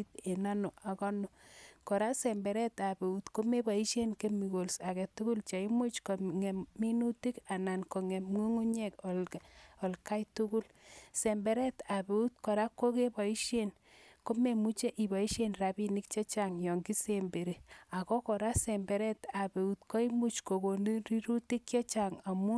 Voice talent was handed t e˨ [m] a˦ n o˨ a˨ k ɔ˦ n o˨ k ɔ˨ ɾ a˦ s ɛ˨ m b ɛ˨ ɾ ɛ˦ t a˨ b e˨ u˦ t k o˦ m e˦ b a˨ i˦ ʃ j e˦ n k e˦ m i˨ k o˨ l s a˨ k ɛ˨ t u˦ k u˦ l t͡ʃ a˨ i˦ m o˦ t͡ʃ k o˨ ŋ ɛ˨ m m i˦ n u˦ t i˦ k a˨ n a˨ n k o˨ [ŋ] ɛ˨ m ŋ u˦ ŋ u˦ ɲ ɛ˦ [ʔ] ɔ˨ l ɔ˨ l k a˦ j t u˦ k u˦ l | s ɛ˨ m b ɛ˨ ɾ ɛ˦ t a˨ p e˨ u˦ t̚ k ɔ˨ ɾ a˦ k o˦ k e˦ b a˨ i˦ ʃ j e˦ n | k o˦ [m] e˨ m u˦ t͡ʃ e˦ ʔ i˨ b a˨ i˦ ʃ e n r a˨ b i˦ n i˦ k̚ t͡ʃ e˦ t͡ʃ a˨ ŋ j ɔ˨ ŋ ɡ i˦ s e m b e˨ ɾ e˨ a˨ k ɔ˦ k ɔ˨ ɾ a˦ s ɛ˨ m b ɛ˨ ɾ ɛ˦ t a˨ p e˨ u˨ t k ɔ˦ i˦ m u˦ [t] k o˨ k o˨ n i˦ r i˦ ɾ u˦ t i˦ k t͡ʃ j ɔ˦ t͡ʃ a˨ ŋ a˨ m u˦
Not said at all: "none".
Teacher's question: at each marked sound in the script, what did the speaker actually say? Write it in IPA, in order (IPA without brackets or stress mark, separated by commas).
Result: n, ŋ, k, m, t͡ʃ